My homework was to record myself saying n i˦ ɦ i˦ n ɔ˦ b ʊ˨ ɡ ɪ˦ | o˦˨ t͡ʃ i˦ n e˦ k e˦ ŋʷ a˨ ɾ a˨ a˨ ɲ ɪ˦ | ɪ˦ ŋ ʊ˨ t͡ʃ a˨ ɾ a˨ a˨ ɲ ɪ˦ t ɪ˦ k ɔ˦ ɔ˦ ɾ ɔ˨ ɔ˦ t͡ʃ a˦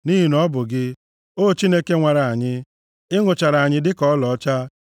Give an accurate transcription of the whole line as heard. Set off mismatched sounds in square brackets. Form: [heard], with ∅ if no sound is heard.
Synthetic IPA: n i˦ ɦ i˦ n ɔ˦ b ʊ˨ ɡ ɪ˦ | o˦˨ t͡ʃ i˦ n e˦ k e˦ ŋʷ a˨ ɾ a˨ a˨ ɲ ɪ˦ | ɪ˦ ŋ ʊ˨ t͡ʃ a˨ ɾ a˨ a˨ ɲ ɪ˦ [d] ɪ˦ k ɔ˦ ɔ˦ [l] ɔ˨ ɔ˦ t͡ʃ a˦

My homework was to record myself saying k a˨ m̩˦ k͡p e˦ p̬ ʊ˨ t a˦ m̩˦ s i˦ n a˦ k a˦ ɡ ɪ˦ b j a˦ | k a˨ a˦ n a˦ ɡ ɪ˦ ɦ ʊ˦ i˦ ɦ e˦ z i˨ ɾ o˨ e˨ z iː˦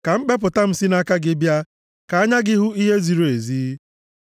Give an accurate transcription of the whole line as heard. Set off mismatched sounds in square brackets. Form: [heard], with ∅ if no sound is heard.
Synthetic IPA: k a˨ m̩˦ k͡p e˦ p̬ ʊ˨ t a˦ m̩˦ s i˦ n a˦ k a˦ ɡ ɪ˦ b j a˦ | k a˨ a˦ [ɲ] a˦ ɡ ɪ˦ ɦ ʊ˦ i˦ ɦ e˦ z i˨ ɾ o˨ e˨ z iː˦

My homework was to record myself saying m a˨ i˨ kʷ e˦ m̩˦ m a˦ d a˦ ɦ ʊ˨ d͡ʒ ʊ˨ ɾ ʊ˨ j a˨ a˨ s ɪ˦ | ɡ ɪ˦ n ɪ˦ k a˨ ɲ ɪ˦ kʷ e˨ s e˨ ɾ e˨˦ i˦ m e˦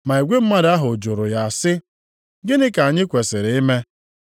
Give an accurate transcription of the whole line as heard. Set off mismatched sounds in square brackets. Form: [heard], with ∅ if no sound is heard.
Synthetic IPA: m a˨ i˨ [ɡʷ] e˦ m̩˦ m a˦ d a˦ ɦ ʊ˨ d͡ʒ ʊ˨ ɾ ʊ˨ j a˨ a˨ s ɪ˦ | ɡ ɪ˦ n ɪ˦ k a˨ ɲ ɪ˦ kʷ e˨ s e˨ ɾ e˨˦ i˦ m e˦

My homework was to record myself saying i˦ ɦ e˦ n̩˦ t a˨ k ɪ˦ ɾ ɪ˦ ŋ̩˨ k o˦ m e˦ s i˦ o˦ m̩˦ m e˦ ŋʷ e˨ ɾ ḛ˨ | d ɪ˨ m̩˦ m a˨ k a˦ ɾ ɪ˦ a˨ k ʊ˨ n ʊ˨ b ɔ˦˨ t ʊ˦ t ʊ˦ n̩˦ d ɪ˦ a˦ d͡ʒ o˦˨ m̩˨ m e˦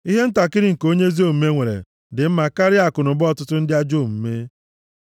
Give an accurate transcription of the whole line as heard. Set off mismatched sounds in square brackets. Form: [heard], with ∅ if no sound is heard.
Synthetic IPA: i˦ ɦ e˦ n̩˦ t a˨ k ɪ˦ ɾ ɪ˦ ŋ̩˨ k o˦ [ɲ] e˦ [z] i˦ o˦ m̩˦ m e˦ ŋʷ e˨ ɾ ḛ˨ | d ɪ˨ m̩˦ m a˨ k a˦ ɾ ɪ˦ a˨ k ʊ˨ n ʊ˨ b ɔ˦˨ t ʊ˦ t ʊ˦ n̩˦ d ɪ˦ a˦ d͡ʒ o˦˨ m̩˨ m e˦

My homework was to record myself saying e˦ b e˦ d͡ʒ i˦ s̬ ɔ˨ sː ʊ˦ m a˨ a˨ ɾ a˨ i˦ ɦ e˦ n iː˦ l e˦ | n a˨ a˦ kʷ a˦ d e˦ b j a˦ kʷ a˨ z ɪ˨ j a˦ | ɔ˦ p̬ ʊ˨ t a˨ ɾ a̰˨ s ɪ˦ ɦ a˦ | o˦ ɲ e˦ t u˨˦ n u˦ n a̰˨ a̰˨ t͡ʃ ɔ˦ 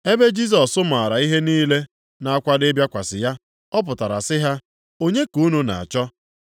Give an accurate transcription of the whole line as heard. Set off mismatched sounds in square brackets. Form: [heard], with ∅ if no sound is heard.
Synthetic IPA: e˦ b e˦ d͡ʒ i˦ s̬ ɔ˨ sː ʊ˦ m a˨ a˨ ɾ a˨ i˦ ɦ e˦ n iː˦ l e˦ | n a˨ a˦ kʷ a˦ d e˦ b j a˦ kʷ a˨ [s] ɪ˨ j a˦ | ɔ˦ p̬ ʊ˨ t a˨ ɾ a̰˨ s ɪ˦ ɦ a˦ | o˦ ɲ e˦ [k] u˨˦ n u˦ n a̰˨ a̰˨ t͡ʃ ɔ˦

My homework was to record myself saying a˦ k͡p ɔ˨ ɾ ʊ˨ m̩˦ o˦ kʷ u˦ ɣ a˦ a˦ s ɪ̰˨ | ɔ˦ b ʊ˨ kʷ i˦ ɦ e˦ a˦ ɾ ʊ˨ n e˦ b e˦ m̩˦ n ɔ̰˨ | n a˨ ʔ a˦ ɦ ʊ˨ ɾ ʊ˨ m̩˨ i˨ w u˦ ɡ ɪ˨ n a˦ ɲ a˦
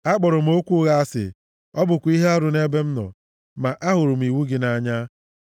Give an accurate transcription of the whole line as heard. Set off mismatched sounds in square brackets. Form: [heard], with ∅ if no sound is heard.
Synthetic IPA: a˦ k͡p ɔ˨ ɾ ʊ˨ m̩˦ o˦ kʷ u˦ ɣ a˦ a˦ s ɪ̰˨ | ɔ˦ b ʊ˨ kʷ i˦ ɦ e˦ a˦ ɾ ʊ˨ n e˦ b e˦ m̩˦ n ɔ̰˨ | [m] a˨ ʔ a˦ ɦ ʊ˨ ɾ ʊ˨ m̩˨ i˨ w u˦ ɡ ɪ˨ n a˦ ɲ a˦

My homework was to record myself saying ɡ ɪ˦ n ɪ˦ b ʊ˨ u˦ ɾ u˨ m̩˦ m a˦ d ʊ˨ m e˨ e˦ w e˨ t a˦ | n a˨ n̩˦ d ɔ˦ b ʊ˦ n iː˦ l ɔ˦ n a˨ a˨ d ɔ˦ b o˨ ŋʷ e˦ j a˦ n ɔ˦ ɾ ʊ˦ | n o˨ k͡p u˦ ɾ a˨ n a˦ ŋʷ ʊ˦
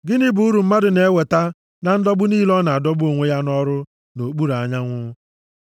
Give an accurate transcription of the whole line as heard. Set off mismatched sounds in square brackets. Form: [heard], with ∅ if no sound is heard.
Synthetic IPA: ɡ ɪ˦ n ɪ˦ b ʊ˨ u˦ ɾ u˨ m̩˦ m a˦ d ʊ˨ [n] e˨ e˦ w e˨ t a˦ | n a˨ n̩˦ d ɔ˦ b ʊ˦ n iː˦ l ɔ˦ n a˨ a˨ d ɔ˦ b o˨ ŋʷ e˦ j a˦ n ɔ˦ ɾ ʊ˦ | n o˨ k͡p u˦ ɾ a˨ [ɲ] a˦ ŋʷ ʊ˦

